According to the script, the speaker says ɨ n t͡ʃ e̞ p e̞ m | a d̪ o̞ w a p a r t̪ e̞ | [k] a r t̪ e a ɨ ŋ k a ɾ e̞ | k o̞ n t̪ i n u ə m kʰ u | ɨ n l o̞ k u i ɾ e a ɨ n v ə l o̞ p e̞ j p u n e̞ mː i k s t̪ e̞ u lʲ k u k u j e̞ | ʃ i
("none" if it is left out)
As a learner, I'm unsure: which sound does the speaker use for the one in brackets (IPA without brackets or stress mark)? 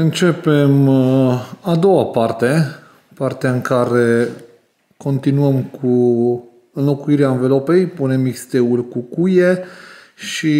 p